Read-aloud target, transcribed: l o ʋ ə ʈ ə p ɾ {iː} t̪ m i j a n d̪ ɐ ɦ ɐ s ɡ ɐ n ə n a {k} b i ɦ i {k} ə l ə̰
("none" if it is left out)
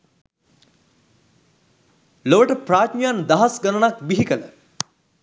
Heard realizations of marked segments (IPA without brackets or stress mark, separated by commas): aː, k, k